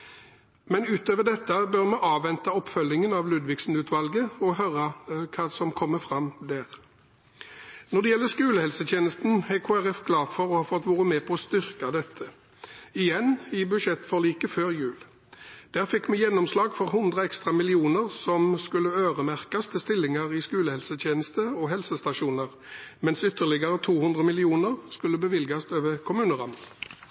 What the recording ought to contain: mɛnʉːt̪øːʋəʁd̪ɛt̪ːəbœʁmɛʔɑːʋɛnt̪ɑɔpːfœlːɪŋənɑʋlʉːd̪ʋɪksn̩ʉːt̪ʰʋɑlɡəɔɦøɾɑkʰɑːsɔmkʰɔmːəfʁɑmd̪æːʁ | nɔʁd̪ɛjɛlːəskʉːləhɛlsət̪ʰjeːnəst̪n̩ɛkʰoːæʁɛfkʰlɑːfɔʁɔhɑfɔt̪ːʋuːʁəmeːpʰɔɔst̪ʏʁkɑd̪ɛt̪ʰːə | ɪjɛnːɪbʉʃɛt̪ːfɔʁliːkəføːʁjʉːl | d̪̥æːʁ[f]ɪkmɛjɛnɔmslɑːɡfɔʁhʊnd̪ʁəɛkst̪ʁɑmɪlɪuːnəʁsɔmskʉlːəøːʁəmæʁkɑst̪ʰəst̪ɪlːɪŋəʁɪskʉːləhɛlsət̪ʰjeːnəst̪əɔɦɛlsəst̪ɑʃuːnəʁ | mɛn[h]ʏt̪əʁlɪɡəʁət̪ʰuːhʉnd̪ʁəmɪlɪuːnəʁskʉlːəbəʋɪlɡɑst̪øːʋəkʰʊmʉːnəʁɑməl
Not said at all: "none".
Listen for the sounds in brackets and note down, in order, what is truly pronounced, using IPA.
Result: f, s

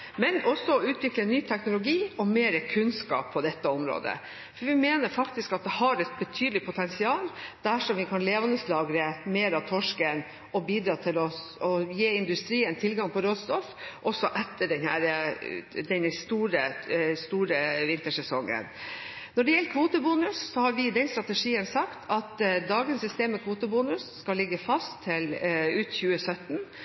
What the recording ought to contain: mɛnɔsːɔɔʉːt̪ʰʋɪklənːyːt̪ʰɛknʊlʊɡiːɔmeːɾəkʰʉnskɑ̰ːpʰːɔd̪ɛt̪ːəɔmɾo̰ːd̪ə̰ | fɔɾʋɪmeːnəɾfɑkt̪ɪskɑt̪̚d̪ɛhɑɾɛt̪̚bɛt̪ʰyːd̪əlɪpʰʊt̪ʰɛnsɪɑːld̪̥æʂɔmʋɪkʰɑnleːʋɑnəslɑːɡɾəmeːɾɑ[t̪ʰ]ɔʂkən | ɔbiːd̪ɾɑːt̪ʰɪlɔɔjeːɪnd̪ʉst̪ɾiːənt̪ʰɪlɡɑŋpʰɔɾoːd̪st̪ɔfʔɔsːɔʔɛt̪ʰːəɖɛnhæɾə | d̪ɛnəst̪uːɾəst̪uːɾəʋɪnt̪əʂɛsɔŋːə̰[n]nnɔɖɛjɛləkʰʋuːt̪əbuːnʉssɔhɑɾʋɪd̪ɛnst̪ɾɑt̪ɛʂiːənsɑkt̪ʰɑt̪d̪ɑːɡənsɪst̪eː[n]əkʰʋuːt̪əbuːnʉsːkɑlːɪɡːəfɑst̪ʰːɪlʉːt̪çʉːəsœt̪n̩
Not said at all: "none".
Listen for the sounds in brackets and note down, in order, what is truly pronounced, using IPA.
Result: t̪ʰ, n, m

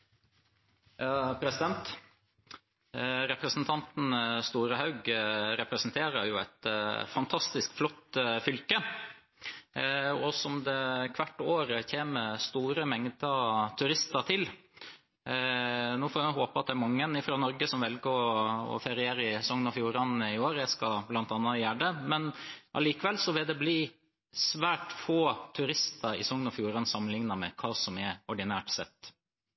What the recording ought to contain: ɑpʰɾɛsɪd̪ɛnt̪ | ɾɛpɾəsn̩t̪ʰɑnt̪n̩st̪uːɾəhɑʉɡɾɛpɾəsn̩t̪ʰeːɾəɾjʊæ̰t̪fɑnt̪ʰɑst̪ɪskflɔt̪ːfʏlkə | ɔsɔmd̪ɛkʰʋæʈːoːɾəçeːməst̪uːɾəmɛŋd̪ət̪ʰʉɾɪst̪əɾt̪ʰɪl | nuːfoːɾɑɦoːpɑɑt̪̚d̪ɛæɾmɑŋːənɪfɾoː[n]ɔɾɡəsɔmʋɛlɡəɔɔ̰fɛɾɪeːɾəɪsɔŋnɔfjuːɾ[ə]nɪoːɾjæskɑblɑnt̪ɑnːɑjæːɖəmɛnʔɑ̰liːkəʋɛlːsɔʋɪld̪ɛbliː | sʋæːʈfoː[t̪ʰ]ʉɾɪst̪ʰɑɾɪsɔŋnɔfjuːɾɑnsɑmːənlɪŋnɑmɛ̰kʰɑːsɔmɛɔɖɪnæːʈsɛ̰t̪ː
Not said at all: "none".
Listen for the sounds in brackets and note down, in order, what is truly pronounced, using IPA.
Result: n, ɑ, t̪ʰ

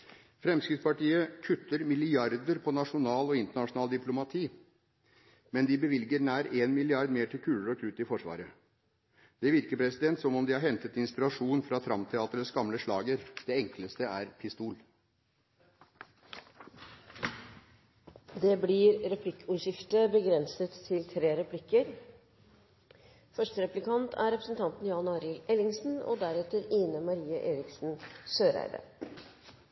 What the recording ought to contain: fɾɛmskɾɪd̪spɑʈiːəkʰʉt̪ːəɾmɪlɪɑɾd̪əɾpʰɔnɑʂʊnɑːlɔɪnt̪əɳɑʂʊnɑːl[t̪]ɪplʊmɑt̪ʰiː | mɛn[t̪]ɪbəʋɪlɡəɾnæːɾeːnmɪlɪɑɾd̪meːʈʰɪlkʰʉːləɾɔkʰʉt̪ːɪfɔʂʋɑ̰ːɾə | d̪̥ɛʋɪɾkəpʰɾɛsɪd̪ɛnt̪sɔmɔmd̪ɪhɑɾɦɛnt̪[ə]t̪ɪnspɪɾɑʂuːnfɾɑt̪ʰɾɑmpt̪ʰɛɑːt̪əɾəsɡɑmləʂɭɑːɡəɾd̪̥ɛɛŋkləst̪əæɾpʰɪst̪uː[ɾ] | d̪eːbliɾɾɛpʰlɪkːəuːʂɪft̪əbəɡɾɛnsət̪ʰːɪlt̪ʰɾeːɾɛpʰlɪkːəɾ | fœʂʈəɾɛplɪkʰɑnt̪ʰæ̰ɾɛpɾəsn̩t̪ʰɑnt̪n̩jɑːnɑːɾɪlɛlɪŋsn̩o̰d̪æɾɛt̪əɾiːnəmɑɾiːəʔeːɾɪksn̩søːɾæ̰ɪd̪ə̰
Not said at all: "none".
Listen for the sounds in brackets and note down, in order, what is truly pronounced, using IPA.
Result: d̪, d̪, ə, l

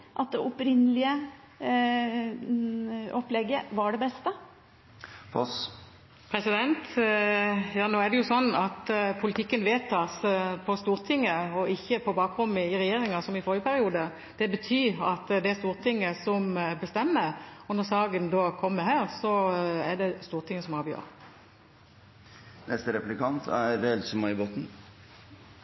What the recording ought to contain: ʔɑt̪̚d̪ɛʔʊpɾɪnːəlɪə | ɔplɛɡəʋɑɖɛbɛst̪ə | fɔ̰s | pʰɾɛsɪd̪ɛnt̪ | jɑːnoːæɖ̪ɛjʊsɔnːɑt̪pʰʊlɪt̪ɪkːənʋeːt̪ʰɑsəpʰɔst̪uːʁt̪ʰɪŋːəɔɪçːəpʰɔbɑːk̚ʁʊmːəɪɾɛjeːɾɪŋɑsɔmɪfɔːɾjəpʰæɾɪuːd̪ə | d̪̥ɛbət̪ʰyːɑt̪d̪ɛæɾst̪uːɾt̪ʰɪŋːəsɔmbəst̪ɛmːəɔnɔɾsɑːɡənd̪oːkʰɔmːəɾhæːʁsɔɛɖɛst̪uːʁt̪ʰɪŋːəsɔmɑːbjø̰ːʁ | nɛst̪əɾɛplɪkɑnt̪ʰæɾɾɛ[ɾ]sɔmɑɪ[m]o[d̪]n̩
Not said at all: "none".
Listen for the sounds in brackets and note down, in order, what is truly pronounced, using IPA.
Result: l, b, t̪

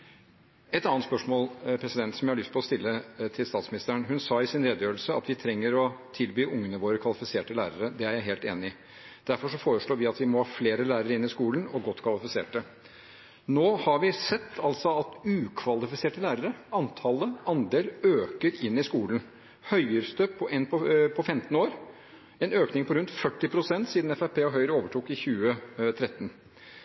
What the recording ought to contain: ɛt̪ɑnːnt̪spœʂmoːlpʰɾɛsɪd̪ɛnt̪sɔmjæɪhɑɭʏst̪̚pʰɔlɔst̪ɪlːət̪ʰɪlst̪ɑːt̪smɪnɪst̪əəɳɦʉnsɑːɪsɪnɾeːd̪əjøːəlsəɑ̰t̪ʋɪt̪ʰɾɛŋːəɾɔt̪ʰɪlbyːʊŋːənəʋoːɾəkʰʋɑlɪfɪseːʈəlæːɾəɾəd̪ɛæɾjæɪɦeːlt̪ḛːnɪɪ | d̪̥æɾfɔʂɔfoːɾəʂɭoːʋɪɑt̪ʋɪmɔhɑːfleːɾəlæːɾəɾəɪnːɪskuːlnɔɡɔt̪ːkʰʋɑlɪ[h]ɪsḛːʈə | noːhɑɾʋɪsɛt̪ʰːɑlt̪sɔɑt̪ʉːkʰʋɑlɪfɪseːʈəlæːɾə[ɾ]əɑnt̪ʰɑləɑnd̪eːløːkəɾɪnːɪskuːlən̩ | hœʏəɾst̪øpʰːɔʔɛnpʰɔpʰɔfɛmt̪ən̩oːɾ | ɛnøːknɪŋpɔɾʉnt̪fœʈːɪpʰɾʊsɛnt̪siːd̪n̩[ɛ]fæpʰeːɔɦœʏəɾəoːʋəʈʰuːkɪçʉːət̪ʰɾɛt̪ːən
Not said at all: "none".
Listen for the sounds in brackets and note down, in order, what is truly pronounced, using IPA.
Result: f, ɾ, ɛ

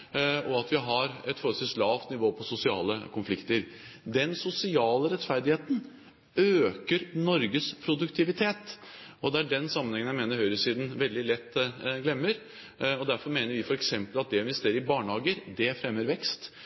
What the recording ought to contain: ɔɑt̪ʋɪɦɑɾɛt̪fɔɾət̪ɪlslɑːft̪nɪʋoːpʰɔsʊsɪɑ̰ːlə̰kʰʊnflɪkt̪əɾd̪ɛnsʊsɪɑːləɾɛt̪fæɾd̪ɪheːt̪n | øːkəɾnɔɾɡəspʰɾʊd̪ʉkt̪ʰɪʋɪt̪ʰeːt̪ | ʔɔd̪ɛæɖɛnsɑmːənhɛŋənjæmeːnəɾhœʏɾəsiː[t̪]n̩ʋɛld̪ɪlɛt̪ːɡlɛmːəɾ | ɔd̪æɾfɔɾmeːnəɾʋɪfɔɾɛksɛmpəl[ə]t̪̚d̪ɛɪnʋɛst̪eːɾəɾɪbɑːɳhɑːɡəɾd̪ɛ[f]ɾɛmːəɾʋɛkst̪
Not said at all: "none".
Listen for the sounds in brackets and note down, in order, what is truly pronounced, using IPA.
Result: d̪, ɑ, f

